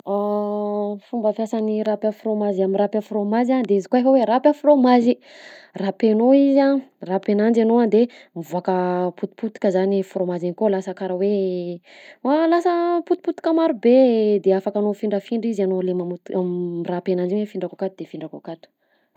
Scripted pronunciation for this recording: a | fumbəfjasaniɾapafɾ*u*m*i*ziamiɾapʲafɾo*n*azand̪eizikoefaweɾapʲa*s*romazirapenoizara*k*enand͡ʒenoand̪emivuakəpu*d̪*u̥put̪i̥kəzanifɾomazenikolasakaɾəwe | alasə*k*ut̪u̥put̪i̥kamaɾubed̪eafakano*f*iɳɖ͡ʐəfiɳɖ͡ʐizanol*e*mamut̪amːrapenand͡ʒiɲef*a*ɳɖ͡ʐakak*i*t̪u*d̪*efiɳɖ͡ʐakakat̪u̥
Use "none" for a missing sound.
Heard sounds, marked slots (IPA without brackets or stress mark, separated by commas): o, a, m, f, p, t̪, p, f, e, i, a, d̪